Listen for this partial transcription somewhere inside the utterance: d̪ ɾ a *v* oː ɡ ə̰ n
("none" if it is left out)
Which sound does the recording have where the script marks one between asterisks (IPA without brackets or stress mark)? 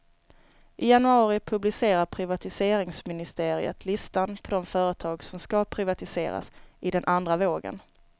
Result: v